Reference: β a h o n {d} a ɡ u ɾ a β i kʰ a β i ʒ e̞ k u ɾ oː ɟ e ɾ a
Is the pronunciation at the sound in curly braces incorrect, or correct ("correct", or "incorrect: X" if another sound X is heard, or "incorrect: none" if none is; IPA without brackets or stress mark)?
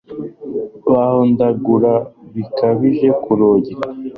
correct